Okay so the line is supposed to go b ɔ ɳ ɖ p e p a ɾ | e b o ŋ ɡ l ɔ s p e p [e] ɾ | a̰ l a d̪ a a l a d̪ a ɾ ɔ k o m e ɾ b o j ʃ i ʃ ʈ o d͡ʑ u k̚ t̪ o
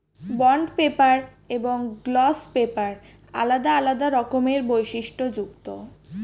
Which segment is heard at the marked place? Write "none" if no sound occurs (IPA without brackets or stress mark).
a